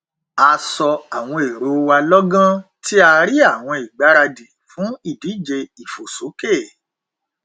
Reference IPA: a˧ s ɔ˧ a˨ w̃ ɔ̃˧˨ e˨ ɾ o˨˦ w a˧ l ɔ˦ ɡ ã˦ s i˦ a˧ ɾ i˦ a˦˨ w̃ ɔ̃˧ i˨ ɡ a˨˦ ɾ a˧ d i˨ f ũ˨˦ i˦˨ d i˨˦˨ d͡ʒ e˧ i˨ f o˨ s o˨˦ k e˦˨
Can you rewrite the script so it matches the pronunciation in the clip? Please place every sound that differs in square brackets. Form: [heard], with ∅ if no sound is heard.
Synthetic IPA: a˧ s ɔ˧ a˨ w̃ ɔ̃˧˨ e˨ ɾ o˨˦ w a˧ l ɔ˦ ɡ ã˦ [t] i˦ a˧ ɾ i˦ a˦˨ w̃ ɔ̃˧ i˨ [ɡ͡b] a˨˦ ɾ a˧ d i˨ f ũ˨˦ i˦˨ d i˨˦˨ d͡ʒ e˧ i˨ f o˨ s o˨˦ k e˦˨